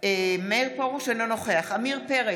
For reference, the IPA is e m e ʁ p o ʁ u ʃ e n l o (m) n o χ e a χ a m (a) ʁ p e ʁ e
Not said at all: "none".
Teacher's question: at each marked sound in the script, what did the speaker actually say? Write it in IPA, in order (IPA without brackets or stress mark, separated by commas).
none, i